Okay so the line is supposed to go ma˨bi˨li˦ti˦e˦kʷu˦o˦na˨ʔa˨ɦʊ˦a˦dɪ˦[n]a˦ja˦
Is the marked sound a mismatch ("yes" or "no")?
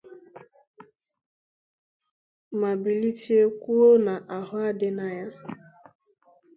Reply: no